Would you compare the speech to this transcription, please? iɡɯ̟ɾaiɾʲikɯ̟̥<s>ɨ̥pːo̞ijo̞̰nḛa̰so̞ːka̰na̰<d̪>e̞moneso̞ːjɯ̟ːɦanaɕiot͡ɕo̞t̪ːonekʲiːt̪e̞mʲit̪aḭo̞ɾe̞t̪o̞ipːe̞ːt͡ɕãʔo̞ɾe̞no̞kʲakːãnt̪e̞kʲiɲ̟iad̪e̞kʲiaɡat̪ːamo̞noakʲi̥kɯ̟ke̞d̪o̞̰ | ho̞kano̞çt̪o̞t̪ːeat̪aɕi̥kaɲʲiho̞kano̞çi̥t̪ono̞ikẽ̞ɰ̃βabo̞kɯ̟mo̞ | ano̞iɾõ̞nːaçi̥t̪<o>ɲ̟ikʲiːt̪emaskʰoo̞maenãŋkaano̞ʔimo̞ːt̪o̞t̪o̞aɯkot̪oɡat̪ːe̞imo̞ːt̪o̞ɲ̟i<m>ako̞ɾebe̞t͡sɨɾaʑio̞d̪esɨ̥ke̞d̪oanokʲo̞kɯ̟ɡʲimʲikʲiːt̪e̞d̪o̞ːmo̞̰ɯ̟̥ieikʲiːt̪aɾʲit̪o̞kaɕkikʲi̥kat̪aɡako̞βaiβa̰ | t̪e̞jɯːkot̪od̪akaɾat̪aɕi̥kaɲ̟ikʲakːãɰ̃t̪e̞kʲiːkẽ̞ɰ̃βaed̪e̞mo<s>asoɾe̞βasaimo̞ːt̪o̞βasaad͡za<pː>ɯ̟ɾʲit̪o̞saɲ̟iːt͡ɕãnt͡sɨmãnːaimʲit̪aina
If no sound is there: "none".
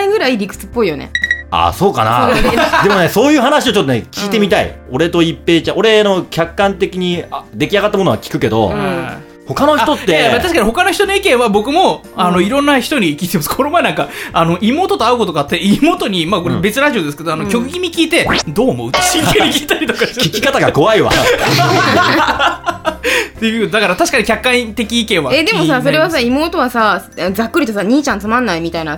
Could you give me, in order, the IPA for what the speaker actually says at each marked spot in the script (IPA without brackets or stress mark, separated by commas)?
t͡s, d̪, o, m, s, kː